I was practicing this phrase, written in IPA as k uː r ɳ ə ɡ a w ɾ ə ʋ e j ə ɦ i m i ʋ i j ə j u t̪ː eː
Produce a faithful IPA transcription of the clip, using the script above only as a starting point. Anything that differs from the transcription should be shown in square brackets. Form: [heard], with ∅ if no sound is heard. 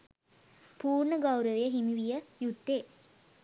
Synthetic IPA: [p] uː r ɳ ə ɡ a w ɾ ə ʋ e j ə ɦ i m i ʋ i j ə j u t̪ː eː